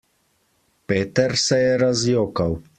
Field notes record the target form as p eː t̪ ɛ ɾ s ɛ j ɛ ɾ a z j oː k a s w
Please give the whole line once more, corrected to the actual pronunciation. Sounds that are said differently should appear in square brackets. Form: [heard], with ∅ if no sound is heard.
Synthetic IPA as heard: p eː t̪ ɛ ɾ s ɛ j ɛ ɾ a z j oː k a [∅] w